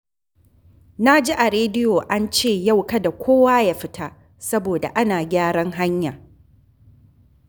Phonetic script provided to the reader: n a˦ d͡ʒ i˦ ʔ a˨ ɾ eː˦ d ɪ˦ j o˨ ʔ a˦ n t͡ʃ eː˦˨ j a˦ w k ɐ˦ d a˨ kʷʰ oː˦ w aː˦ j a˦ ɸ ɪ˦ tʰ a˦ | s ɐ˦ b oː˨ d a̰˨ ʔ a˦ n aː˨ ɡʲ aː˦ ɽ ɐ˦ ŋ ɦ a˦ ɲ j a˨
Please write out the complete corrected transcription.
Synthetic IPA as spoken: n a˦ d͡ʒ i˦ ʔ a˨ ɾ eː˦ d ɪ˦ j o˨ ʔ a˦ n t͡ʃ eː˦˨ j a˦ w k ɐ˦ d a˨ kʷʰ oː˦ w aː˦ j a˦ ɸ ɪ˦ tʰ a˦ | s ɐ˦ b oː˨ d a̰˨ ʔ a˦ n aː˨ ɡʲ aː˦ ɽ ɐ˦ ŋ ɦ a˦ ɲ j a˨